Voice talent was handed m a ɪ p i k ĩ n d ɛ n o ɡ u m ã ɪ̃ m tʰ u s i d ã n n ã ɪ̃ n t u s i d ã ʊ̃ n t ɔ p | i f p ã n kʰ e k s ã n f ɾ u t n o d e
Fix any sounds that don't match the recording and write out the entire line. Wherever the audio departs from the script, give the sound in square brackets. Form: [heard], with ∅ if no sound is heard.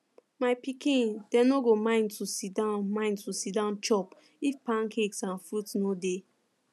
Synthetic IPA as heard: m a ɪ p i k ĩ n d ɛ n o ɡ [o] m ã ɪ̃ [n] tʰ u s i d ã n [m] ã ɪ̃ n t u s i d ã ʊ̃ n [t͡ʃ] ɔ p | i f p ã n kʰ e k s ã n f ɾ u t n o d e